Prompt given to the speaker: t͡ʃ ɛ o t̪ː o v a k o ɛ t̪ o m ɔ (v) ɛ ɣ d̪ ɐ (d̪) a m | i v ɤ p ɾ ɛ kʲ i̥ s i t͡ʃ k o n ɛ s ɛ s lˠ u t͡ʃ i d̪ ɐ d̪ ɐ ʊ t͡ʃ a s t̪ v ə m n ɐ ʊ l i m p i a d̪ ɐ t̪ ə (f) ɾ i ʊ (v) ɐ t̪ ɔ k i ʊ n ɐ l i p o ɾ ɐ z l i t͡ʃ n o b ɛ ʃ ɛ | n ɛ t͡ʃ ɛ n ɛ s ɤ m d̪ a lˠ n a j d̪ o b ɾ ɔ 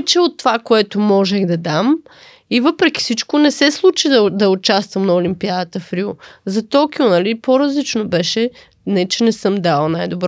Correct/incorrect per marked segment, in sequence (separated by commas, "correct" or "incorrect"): incorrect, correct, correct, incorrect